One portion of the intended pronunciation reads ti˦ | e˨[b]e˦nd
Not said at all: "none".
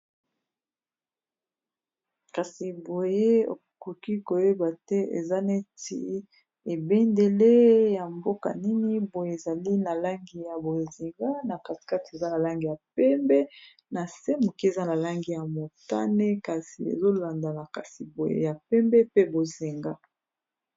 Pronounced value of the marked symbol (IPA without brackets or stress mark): b